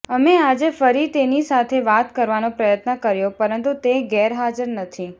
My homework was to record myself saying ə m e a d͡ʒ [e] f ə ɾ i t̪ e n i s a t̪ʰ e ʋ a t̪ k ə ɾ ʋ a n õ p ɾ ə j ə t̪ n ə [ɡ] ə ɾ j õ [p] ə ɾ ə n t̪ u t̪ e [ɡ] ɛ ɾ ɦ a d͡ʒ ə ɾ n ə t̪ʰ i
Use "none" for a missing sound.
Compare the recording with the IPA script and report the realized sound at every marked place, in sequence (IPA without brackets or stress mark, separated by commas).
e, k, p, ɡ